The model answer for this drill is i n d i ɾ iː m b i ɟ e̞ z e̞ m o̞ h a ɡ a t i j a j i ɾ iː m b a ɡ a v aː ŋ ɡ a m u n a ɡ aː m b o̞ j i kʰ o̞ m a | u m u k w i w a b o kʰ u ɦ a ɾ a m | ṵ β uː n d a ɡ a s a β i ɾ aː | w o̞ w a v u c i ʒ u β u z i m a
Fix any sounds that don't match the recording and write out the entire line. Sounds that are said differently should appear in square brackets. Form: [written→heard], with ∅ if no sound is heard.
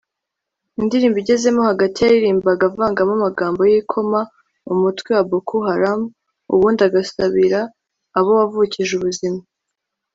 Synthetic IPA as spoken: i n d i ɾ iː m b i ɟ e̞ z e̞ m o̞ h a ɡ a t i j a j i ɾ iː m b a ɡ a v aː ŋ ɡ a m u [n→m] a ɡ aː m b o̞ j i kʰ o̞ m a | u m u [k→t] w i w a b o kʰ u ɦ a ɾ a m | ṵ β uː n d a ɡ a s a β i ɾ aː | [w→β] o̞ w a v u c i ʒ u β u z i m a